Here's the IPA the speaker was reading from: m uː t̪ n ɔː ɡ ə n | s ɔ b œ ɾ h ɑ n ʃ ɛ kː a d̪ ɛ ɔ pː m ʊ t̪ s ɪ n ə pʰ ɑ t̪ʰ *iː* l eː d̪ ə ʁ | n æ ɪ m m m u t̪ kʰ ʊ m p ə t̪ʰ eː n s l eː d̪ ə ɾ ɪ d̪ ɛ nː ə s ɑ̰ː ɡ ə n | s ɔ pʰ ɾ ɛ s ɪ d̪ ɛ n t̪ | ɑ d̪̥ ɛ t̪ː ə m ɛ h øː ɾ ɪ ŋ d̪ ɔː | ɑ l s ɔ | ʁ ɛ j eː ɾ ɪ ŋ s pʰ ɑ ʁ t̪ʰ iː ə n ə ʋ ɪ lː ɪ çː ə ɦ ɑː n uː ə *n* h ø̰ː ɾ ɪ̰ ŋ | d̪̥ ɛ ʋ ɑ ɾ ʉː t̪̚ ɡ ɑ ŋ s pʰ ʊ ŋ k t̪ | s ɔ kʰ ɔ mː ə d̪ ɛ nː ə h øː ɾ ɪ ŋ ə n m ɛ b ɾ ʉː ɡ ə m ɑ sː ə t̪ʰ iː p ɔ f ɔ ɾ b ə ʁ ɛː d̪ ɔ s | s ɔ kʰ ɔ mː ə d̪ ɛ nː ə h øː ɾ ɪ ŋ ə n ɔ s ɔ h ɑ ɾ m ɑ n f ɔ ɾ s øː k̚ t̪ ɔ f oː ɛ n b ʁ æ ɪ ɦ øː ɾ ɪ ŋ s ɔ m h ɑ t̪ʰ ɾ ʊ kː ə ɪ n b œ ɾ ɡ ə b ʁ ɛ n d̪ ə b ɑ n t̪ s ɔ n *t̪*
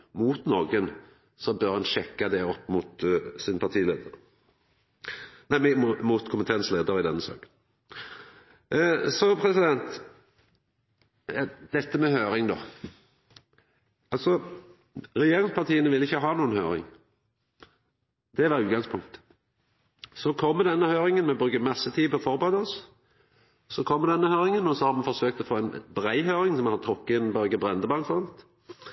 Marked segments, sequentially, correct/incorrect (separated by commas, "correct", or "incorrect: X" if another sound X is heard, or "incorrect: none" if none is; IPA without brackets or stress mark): correct, correct, correct